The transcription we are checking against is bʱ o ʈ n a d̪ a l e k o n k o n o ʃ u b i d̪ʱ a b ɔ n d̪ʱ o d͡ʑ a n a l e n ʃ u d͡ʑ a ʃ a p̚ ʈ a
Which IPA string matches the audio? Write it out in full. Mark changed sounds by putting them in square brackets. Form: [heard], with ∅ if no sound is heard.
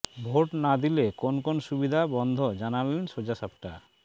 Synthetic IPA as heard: bʱ o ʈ n a d̪ [i] l e k o n k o n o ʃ u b i d̪ʱ a b ɔ n d̪ʱ o d͡ʑ a n a l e n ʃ [o] d͡ʑ a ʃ a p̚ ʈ a